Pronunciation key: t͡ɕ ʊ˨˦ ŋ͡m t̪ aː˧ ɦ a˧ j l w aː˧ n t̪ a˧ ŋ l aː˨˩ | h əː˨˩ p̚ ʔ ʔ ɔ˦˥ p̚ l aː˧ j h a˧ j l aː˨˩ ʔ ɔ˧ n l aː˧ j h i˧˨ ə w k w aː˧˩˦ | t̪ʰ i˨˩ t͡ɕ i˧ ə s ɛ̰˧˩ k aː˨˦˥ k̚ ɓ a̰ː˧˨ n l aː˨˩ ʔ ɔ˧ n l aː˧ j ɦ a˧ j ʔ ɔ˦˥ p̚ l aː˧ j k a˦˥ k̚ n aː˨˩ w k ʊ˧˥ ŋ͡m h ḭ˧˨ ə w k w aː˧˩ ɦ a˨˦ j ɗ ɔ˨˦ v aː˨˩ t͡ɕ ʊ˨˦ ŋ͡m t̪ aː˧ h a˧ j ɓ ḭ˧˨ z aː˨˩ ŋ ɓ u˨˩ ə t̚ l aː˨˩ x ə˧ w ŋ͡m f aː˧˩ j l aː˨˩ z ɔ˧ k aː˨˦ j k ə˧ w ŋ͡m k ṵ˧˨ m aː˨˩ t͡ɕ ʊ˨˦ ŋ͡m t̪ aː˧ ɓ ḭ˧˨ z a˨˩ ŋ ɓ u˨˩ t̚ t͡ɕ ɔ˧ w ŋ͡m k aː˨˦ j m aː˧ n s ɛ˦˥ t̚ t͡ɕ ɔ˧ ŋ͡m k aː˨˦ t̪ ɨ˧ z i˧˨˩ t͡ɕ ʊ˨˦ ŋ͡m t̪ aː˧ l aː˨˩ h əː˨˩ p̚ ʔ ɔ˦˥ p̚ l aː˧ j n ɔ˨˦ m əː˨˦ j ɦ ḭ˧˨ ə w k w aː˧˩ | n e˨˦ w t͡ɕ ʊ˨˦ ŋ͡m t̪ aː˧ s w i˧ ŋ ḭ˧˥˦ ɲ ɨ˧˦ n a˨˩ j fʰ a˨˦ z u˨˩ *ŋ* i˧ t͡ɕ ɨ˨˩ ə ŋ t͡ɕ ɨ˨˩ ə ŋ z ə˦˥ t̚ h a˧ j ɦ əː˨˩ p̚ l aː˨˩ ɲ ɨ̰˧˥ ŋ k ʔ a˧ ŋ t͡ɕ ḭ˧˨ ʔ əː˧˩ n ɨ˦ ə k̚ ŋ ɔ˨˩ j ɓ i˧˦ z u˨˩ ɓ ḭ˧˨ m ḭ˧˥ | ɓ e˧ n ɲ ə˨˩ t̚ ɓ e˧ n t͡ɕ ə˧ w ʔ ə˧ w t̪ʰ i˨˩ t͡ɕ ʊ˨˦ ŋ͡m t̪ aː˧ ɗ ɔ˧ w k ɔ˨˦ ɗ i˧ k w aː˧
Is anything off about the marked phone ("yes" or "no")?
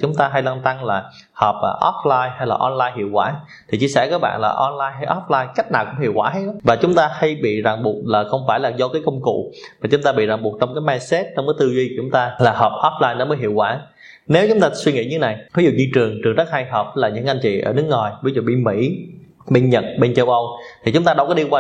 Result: yes